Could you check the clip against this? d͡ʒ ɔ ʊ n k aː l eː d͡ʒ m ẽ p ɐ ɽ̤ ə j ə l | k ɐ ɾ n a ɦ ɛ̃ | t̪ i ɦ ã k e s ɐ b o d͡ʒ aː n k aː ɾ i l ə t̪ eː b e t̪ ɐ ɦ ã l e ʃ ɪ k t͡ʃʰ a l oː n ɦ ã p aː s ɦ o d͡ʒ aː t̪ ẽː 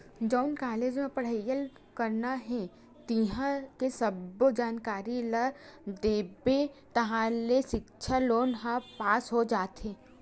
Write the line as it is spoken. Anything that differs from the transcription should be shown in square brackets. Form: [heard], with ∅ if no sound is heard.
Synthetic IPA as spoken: d͡ʒ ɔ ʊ n k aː l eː d͡ʒ m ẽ p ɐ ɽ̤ ə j ə l | k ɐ ɾ n a ɦ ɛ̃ | t̪ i ɦ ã k e s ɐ b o d͡ʒ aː n k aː ɾ i l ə [d̪] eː b e t̪ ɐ ɦ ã l e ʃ ɪ k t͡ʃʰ a l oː n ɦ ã p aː s ɦ o d͡ʒ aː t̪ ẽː

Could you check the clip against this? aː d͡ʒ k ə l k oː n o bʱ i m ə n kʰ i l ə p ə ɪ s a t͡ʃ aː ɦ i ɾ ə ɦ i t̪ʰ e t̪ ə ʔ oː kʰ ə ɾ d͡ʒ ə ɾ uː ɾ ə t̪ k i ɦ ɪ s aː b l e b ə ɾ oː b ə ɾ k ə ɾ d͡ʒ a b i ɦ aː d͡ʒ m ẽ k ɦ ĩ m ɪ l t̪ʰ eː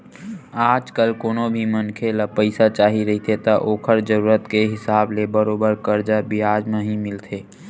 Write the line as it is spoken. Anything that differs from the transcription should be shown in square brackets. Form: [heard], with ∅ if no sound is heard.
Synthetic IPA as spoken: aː d͡ʒ k ə l k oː n o bʱ i m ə n kʰ [e] l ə p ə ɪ s a t͡ʃ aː ɦ i ɾ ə ɦ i t̪ʰ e t̪ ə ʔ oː kʰ ə ɾ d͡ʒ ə ɾ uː ɾ ə t̪ k [e] ɦ ɪ s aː b l e b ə ɾ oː b ə ɾ k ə ɾ d͡ʒ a b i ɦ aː d͡ʒ m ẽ [∅] ɦ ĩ m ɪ l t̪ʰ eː

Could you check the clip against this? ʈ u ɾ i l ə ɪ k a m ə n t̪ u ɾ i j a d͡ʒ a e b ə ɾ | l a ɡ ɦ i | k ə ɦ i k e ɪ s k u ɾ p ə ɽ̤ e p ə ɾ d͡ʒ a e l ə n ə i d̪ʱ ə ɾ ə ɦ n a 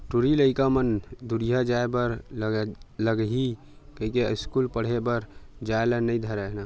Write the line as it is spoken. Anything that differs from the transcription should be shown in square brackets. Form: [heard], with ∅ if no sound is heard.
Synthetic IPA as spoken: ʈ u ɾ i l ə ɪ k a m ə n [d̪] u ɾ i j a d͡ʒ a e b ə ɾ | l [ə] ɡ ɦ i | k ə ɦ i k e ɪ s k u [l] p ə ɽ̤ e [b] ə ɾ d͡ʒ a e l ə n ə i d̪ʱ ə ɾ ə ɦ n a

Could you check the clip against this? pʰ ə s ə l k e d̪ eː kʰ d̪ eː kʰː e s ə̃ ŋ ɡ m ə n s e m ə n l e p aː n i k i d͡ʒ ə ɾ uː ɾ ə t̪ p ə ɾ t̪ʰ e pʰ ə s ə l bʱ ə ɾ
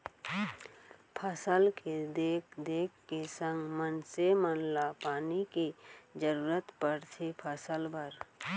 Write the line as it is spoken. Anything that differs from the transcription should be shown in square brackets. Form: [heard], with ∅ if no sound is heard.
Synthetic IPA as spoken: pʰ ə s ə l k e d̪ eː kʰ d̪ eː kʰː e s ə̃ ŋ ɡ m ə n s e m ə n l [a] p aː n i k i d͡ʒ ə ɾ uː ɾ ə t̪ p ə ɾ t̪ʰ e pʰ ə s ə l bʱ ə ɾ

